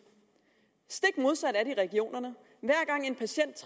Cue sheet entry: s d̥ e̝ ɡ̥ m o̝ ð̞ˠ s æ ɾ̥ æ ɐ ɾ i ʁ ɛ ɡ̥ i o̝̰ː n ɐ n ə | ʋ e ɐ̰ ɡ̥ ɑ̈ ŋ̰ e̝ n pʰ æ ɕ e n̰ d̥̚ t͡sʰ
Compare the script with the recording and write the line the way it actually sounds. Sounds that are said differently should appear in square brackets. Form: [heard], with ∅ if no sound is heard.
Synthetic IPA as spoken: s d̥ e̝ ɡ̥ m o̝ ð̞ˠ s æ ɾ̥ æ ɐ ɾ i ʁ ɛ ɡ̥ i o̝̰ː n ɐ n ə | ʋ [æ] ɐ̰ ɡ̥ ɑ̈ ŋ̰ e̝ n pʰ æ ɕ e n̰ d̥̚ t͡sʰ